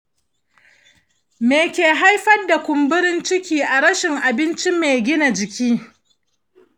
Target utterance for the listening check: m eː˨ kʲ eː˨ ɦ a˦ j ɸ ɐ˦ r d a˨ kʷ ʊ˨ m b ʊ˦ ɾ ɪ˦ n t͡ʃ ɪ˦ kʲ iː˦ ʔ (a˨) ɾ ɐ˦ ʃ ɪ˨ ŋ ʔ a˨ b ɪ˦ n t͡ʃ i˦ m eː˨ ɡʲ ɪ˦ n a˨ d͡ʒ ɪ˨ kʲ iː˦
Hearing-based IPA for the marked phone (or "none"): a˨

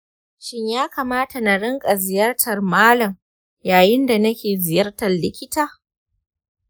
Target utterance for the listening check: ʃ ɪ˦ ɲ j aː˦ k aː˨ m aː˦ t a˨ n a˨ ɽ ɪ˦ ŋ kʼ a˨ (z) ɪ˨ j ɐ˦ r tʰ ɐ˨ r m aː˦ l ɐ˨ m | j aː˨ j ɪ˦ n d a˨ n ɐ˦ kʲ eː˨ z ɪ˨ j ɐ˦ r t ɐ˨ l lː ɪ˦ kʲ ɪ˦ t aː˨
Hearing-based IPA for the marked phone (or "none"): z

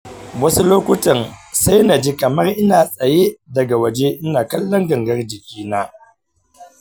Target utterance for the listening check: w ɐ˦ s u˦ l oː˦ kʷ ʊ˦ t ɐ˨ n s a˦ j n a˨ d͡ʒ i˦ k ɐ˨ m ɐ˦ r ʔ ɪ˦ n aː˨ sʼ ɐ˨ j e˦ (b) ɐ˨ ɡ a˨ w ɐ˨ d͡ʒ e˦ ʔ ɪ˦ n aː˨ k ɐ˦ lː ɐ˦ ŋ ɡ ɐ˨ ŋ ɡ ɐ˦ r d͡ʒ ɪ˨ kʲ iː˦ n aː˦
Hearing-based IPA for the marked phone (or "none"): d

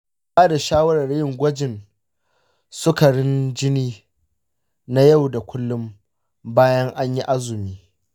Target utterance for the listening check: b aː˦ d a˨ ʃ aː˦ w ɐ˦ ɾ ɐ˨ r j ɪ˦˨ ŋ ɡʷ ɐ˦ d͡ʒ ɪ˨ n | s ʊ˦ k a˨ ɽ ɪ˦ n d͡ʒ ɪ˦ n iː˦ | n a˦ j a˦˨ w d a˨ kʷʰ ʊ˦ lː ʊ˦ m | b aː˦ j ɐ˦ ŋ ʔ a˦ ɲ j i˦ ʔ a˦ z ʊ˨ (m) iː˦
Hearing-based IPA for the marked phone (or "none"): m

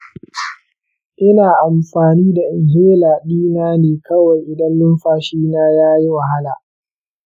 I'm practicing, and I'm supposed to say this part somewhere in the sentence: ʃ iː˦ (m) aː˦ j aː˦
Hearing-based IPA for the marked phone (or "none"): n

